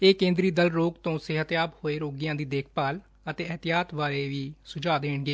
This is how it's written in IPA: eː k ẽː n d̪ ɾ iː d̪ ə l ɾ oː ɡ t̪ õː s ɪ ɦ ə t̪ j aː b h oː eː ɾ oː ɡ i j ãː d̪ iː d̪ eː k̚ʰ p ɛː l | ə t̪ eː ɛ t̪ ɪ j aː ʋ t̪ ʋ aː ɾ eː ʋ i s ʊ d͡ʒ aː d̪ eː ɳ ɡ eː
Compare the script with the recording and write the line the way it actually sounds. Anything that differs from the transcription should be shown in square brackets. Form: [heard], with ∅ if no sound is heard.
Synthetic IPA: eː k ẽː n d̪ ɾ iː d̪ ə l ɾ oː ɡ t̪ õː s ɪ ɦ ə t̪ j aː b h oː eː ɾ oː ɡ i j ãː d̪ iː d̪ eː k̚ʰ p [aː] l | ə t̪ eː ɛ t̪ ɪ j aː [∅] t̪ ʋ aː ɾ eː ʋ [iː] s ʊ d͡ʒ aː d̪ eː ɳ ɡ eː